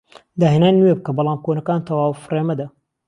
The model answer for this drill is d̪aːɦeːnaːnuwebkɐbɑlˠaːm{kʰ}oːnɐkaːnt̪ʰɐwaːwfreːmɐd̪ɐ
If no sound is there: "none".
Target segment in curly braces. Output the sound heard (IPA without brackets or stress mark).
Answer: k